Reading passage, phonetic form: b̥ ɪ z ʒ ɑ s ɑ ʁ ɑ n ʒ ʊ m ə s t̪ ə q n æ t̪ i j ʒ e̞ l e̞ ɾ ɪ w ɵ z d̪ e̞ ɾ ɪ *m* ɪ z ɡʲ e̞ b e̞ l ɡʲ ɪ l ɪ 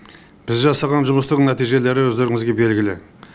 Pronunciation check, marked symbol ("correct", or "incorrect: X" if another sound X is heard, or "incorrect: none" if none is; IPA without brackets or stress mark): incorrect: ŋ